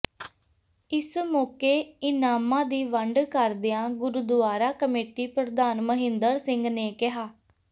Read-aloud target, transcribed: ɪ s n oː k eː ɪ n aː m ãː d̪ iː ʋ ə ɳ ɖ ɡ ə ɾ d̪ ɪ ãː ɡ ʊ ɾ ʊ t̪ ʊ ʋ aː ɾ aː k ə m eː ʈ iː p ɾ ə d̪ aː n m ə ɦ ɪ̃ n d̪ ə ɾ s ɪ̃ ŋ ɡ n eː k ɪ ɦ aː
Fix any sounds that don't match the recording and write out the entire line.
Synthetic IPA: ɪ s m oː k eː ɪ n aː m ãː d̪ iː ʋ ə ɳ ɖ k ə ɾ d̪ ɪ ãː ɡ ʊ ɾ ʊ d̪ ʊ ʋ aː ɾ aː k ə m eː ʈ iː p ɾ ə d̪ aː n m ə ɦ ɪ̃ n d̪ ə ɾ s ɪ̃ ŋ ɡ n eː k ɪ ɦ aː